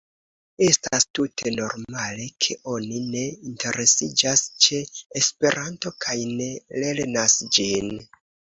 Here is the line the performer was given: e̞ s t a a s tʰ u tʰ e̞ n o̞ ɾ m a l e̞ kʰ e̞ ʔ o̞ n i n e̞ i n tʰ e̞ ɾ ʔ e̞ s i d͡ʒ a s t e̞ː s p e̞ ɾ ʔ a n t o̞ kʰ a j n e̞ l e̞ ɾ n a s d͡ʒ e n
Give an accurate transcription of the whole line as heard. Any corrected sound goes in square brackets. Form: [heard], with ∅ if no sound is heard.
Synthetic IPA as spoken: e̞ s t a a s [t] u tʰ e̞ n o̞ ɾ m a l e̞ kʰ e̞ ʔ o̞ n i n e̞ i n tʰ e̞ ɾ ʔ e̞ s i d͡ʒ a s [t͡ʃ] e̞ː s p e̞ ɾ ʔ a n t o̞ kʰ a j n e̞ l e̞ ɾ n a s d͡ʒ [i] n